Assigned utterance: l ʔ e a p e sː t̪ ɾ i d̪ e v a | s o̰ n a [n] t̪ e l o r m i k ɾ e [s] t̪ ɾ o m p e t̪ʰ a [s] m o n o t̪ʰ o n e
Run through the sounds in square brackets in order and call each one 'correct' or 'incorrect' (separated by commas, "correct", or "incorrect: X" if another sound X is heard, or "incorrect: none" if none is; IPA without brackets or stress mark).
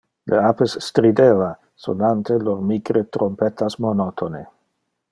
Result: correct, incorrect: none, correct